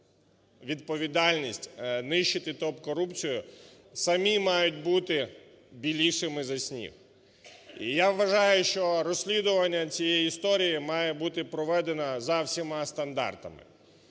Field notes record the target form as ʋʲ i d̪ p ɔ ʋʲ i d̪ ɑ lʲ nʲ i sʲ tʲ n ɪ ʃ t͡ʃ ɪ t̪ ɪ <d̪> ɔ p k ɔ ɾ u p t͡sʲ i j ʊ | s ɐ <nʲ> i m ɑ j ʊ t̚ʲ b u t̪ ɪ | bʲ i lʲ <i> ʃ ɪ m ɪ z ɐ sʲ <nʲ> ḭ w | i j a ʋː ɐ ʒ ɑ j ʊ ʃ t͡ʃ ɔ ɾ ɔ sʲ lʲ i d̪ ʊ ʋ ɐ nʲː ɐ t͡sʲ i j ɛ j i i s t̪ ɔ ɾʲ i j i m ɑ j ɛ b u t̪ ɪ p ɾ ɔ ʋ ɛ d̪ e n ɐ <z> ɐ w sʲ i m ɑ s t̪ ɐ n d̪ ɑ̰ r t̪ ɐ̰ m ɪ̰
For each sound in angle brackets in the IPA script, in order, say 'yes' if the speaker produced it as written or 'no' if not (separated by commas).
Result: no, no, yes, yes, yes